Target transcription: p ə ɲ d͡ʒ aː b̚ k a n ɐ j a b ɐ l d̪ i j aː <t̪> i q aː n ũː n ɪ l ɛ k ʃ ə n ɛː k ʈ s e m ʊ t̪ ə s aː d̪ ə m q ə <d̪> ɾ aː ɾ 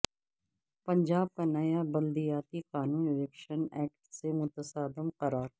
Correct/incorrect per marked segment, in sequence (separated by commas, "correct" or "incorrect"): correct, incorrect